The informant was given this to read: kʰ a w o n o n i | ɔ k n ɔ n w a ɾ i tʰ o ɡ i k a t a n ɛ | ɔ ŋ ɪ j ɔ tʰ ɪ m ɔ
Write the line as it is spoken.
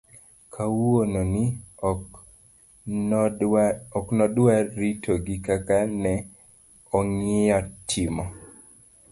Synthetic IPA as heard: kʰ a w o n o n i | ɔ k n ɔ d w a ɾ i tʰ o ɡ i k a k a n ɛ | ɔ ŋ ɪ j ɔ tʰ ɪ m ɔ